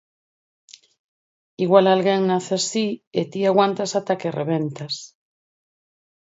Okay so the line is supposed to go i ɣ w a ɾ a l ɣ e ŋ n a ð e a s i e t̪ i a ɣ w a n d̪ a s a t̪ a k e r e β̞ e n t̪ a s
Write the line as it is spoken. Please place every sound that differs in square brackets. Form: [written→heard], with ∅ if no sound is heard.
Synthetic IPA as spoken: i ɣ w a [ɾ→l] a l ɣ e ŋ n a [ð→θ] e a s i e t̪ i a ɣ w a n [d̪→t̪] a s a t̪ a k e r e β̞ e n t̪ a s